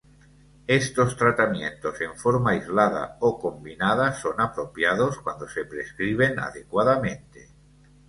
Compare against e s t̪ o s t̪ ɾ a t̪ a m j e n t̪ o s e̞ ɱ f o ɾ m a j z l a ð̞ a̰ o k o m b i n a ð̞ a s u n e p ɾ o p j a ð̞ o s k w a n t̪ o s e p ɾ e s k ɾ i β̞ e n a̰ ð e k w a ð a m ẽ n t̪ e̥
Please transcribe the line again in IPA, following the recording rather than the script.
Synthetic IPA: e s t̪ o s t̪ ɾ a t̪ a m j e n t̪ o s e̞ ɱ f o ɾ m a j z l a ð̞ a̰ o k o m b i n a ð̞ a s o n a p ɾ o p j a ð̞ o s k w a n d̪ o s e p ɾ e s k ɾ i β̞ e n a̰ ð e k w a ð a m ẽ n t̪ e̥